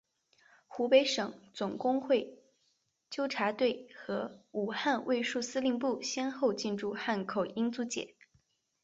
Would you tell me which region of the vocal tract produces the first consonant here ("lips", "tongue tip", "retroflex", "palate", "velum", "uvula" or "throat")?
velum